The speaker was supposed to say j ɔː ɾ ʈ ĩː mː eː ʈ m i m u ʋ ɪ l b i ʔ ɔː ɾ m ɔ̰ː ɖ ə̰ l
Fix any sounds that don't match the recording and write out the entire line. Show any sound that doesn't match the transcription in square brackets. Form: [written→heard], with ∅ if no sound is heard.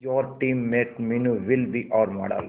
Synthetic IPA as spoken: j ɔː ɾ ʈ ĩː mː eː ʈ m i [m→n] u ʋ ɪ l b i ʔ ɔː ɾ m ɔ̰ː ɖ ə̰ l

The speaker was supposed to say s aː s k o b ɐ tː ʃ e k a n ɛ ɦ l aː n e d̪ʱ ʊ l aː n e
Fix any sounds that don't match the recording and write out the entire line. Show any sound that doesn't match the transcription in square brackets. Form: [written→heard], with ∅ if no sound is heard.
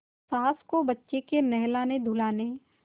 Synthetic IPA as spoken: s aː s k o b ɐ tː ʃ e k [a→e] n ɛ ɦ l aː n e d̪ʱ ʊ l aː n e

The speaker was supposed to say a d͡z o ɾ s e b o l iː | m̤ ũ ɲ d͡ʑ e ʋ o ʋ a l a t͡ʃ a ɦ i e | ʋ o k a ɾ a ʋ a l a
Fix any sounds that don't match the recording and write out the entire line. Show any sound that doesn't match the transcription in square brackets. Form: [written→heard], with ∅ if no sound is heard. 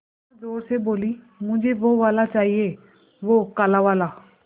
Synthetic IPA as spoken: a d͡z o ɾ s e b o l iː | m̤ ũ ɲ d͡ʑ e ʋ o ʋ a l a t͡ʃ a ɦ i e | ʋ o k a [ɾ→l] a ʋ a l a

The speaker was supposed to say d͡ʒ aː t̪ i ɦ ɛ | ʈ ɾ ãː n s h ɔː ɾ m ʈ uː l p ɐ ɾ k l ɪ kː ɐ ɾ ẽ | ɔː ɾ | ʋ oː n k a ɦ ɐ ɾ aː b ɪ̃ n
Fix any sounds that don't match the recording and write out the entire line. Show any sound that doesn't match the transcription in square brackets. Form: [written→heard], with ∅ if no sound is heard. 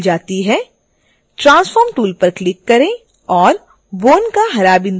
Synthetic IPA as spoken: d͡ʒ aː t̪ i ɦ ɛ | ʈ ɾ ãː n s [h→f] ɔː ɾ m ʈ uː l p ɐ ɾ k l ɪ kː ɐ ɾ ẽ | ɔː ɾ | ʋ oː n k a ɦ ɐ ɾ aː b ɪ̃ n

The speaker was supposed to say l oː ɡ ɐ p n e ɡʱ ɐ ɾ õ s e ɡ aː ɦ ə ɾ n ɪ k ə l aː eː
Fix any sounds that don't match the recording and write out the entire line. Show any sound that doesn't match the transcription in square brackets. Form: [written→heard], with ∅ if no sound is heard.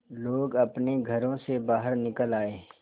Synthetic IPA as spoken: l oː ɡ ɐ p n e ɡʱ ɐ ɾ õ s e [ɡ→b] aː ɦ ə ɾ n ɪ k ə l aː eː

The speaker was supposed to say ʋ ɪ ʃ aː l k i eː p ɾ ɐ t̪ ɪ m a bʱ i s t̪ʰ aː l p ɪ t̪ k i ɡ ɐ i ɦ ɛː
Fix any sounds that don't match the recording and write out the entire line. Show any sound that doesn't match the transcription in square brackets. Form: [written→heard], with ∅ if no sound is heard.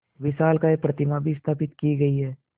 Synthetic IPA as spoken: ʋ ɪ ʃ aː l k [i→a] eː p ɾ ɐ t̪ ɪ m a bʱ i s t̪ʰ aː [l→∅] p ɪ t̪ k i ɡ ɐ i ɦ ɛː

